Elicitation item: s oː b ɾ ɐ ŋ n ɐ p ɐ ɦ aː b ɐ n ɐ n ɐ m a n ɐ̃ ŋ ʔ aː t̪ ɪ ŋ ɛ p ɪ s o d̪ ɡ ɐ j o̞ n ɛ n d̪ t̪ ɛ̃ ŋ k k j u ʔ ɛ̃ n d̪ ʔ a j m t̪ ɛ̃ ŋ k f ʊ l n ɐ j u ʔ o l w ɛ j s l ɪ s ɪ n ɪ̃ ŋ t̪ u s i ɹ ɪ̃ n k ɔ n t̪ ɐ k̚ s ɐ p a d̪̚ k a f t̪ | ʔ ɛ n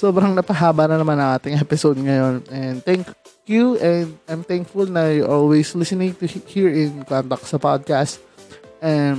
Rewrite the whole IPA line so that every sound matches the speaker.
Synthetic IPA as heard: s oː b ɾ ɐ ŋ n ɐ p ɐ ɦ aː b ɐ n ɐ n ɐ m a n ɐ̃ ŋ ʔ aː t̪ ɪ ŋ ɛ p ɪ s o d̪ ŋ ɐ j o̞ n ɛ n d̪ t̪ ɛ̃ ŋ k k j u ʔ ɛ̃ n d̪ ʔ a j m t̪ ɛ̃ ŋ k f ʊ l n ɐ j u ʔ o l w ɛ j s l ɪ s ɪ n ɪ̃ ŋ t̪ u h i ɹ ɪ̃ n k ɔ n t̪ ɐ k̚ s ɐ p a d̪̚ k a s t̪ | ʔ ɛ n